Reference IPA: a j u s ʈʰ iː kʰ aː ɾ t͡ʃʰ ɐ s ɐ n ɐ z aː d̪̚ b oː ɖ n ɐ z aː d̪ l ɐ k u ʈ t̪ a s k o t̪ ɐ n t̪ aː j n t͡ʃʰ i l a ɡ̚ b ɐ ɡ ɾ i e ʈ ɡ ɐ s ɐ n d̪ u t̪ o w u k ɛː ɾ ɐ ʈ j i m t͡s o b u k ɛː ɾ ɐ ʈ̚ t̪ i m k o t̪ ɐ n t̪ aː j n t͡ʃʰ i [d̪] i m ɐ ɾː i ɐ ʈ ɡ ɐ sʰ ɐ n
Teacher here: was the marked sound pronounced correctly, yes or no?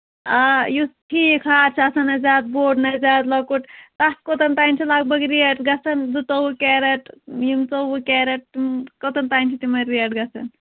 no